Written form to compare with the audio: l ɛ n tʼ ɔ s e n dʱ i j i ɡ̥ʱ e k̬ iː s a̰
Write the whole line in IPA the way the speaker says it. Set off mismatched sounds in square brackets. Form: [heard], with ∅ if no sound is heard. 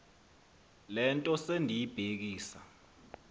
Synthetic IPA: l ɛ n tʼ ɔ s e n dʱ i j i [b̥ʱ] e k̬ iː s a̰